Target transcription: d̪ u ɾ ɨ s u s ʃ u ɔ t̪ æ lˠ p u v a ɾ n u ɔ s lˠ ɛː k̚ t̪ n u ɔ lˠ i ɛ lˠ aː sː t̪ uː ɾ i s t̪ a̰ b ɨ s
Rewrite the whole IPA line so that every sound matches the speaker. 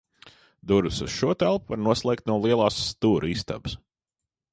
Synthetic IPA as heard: d̪ u ɾ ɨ s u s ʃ u ɔ t̪ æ lˠ p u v a ɾ n u ɔ s lˠ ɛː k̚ t̪ n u ɔ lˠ i ɛ lˠ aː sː t̪ uː ɾ i s t̪ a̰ b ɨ s